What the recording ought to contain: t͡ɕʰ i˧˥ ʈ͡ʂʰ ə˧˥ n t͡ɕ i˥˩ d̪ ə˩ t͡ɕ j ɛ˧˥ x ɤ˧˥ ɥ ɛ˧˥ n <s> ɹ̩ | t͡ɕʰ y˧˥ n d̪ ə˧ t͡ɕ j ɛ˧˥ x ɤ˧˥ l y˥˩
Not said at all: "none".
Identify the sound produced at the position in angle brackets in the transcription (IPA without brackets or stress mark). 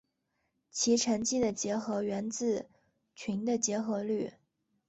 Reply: t͡s